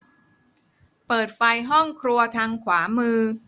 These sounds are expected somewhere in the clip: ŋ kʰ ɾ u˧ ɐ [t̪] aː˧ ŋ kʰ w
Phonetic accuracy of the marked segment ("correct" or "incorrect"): incorrect